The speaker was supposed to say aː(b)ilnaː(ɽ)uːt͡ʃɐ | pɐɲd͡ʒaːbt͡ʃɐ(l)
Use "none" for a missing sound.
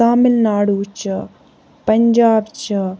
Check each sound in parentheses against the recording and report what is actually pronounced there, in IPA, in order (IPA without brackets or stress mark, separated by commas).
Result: m, ɽ, none